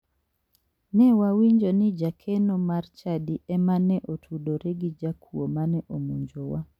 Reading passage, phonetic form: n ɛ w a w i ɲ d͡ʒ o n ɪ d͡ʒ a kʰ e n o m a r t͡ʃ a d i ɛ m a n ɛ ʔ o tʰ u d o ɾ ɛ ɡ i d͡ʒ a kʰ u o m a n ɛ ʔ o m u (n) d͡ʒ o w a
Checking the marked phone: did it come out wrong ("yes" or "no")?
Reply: yes